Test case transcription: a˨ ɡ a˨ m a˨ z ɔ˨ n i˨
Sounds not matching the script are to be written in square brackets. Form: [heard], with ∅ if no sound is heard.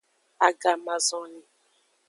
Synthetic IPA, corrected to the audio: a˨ ɡ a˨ m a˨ z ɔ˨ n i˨